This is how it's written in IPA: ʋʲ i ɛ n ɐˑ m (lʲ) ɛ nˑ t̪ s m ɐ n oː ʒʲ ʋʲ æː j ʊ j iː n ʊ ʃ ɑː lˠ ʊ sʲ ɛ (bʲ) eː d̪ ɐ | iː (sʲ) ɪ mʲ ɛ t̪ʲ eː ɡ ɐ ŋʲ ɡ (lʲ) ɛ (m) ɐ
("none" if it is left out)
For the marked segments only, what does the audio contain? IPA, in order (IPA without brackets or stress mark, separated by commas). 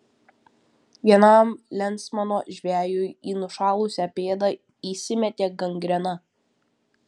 lʲ, pʲ, sʲ, ɾʲ, n